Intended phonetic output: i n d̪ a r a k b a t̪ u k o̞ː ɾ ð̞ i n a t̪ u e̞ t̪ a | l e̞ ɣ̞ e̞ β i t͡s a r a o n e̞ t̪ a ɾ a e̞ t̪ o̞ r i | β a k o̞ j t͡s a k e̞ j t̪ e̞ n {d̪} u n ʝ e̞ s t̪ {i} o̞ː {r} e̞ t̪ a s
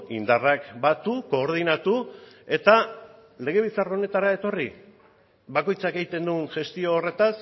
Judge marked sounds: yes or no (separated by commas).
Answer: yes, yes, yes